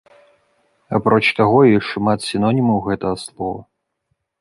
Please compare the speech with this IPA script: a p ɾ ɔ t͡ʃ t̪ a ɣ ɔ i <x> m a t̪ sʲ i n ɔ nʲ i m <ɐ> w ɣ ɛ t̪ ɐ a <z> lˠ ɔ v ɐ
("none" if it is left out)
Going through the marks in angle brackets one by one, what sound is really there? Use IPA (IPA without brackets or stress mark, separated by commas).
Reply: ʂ, ɐ, s